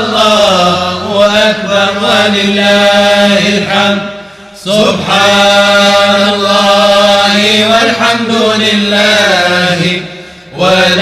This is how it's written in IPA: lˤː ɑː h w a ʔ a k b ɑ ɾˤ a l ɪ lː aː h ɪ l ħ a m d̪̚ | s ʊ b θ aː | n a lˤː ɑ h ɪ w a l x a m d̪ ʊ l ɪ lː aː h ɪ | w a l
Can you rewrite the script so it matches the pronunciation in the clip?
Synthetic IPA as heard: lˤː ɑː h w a ʔ a k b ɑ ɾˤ a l ɪ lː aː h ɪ l ħ a m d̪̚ | s ʊ b ħ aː | n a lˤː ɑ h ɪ w a l ħ a m d̪ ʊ l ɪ lː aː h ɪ | w a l

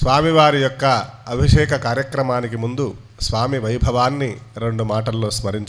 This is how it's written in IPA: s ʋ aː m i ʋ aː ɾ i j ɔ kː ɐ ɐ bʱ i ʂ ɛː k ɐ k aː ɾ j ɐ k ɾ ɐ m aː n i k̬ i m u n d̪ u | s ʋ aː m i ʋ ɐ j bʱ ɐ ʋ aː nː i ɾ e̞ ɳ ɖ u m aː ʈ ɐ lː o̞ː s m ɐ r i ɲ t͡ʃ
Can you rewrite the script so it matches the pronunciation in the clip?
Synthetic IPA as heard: s ʋ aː m i ʋ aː ɾ i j ɔ kː ɐ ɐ bʱ i ʂ ɛː k ɐ k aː ɾ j ɐ k ɾ ɐ m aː n i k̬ i m u n d̪ u | s ʋ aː m i ʋ ɐ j bʱ ɐ ʋ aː nː i ɾ e̞ ɳ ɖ u m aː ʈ ɐ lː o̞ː s m ɐ ɾ i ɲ t͡ʃ

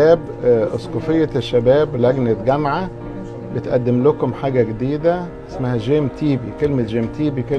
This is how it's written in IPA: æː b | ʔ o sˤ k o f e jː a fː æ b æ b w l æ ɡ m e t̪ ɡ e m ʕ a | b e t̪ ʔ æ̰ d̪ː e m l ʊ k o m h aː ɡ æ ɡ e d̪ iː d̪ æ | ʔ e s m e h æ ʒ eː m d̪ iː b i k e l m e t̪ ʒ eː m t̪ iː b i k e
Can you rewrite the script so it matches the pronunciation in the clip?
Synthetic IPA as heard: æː b | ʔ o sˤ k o f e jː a ʃː æ b æː b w l æ ɡ n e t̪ ɡ æ m ʕ a | b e t̪ ʔ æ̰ d̪ː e m l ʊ k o m ħ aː ɡ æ ɡ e d̪ iː d̪ æ | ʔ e s m æ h æ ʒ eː m t̪ iː b i k e l m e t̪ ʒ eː m t̪ iː b i k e

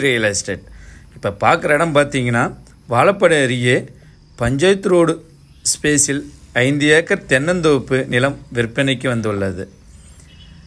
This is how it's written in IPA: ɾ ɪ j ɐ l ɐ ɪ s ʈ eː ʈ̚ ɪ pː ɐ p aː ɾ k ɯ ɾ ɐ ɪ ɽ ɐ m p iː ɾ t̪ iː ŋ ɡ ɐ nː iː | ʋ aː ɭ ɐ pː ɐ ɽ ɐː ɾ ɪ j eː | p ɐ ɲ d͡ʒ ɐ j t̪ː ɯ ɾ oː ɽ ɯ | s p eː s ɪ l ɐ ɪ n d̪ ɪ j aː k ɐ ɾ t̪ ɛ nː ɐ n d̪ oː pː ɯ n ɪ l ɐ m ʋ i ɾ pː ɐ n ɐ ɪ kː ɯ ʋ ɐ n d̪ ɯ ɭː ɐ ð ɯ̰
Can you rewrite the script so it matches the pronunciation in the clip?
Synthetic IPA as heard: ɾ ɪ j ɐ l ɐ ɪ s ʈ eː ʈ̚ ɪ pː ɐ p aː ɾ k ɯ ɾ ɐ ɪ ɽ ɐ m p aː ɾ t̪ iː ŋ ɡ ɐ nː aː | ʋ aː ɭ ɐ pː ɐ ɽ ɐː ɾ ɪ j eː | p ɐ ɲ d͡ʒ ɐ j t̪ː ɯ ɾ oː ɽ ɯ | s p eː s ɪ l ɐ ɪ n d̪ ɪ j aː k ɐ ɾ t̪ ɛ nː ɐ n d̪ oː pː ɯ n ɪ l ɐ m ʋ ɪ ɾ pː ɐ n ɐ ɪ kː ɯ ʋ ɐ n d̪ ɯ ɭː ɐ ð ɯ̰

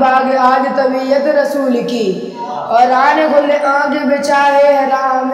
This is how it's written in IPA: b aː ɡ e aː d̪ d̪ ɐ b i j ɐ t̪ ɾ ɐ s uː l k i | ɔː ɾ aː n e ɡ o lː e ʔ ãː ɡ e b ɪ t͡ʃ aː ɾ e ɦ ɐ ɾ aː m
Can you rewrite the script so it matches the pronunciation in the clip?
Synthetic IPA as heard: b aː ɡ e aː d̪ t̪ ɐ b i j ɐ t̪ ɾ ɐ s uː l k i | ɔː ɾ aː n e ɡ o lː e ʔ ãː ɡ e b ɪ t͡ʃ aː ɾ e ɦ ɐ ɾ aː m

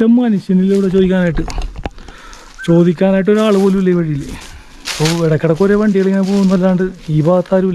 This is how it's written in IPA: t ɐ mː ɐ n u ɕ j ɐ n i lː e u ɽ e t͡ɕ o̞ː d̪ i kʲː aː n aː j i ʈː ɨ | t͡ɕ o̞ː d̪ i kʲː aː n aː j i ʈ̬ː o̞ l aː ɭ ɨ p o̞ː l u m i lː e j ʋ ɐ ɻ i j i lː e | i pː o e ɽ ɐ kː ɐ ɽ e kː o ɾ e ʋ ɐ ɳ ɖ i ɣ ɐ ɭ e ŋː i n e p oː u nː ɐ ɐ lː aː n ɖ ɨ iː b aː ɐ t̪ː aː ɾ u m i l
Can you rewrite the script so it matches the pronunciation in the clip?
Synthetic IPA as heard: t ɐ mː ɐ n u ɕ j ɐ n i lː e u ɽ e t͡ɕ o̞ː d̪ i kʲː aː n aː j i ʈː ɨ | t͡ɕ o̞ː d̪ i kʲː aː n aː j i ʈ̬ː o̞ ɾ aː ɭ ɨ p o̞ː l u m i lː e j ʋ ɐ ɻ i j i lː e | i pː o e ɽ ɐ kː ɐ ɽ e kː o ɾ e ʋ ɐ ɳ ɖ i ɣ ɐ ɭ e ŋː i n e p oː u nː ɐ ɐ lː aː ɳ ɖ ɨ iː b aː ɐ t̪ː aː ɾ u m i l

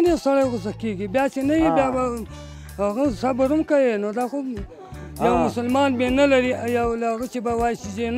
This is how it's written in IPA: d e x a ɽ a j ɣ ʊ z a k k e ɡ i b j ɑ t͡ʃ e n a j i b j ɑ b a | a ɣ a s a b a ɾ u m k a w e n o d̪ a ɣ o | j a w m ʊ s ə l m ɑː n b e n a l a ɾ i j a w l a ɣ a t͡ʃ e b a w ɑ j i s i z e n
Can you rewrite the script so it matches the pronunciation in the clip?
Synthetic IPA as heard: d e s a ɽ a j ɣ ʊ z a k k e ɡ i b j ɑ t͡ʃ e n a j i b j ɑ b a | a ɣ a s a b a ɾ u m k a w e n o d̪ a x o | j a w m ʊ s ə l m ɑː n b e n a l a ɾ i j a w l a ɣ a t͡ʃ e b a w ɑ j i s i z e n

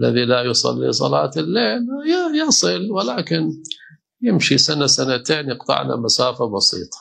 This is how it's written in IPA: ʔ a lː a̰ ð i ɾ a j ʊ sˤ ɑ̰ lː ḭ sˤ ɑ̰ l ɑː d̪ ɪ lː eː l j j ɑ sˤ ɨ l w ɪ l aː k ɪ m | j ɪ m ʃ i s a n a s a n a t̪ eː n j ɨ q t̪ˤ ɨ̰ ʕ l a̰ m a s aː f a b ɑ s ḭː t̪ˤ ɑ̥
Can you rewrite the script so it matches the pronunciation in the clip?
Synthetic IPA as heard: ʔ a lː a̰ ð i l a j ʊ sˤ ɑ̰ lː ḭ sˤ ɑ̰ l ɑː t̪ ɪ lː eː l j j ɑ sˤ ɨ l w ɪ l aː k ɪ n | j ɪ m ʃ i s a n a s a n a t̪ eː n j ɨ q t̪ˤ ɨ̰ ʕ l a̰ m a s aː f a b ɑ s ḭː t̪ˤ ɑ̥

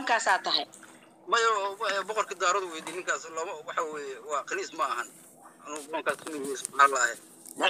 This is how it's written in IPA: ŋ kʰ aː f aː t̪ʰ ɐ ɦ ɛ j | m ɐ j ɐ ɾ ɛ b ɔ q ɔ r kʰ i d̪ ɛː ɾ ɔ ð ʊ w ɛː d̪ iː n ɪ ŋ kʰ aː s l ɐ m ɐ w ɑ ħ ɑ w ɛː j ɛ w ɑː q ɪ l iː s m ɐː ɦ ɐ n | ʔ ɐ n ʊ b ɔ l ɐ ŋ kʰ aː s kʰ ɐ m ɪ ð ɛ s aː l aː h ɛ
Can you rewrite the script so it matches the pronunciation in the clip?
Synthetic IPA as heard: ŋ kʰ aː s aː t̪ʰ ɐ ɦ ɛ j | m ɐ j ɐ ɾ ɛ b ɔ q ɔ r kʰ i d̪ aː ɾ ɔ ð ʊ w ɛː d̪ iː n ɪ ŋ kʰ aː s l ɐ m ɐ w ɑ ħ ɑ w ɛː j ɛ w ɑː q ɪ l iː s m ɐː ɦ ɐ n | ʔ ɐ n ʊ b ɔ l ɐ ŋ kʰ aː s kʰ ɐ m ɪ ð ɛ s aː l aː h ɛ

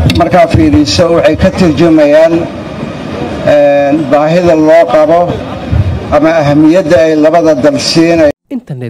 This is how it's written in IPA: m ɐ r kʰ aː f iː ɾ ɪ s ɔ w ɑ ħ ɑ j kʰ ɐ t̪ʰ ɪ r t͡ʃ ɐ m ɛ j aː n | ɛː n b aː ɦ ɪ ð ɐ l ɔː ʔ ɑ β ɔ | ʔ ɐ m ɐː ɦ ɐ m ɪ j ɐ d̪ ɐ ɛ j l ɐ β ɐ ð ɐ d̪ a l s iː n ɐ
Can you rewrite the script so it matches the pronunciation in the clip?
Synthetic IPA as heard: m ɐ r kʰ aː f iː ɾ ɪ s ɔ w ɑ ħ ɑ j kʰ ɐ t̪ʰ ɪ r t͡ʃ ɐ m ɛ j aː n | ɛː n b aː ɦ ɪ ð ɐ l ɔː q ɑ β ɔ | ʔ ɐ m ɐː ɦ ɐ m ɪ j ɐ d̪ ɐ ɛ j l ɐ β ɐ ð ɐ d̪ ɐ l s iː n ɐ

